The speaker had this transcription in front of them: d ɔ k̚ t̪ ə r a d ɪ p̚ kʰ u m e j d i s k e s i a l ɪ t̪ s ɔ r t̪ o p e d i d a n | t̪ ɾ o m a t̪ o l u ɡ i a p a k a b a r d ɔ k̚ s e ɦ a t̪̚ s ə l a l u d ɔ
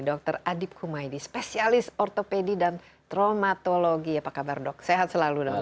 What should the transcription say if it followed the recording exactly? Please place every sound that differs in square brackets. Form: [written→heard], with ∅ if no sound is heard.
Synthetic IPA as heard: d ɔ k̚ t̪ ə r a d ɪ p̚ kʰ u m [e→a] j d i s [k→p] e s i a l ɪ [t̪→∅] s ɔ r t̪ o p e d i d a n | t̪ ɾ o m a t̪ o l [u→o] ɡ i a p a k a b a r d ɔ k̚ s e ɦ a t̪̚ s ə l a l u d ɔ